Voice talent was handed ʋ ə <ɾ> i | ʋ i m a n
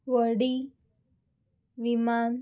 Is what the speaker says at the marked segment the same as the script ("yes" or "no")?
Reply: no